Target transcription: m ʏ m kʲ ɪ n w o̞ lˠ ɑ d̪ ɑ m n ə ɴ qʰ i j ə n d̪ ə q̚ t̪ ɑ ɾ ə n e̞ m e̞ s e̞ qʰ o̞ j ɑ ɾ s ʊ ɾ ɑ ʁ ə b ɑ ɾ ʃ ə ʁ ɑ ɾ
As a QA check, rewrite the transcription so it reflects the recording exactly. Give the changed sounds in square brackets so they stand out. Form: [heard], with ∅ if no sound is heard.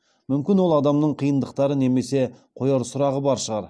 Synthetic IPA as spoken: m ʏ m kʲ ɪ n w o̞ lˠ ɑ d̪ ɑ m n ə ɴ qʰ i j ə n d̪ ə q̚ t̪ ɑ ɾ ə n e̞ m e̞ s e̞ qʰ o̞ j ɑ ɾ s ʊ ɾ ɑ ʁ ə b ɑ ɾ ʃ ə ʁ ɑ ɾ